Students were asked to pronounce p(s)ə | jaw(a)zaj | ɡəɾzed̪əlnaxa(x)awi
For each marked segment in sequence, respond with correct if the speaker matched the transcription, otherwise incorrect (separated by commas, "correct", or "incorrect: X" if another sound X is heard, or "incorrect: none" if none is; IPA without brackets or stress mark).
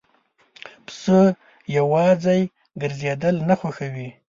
correct, incorrect: ɑ, correct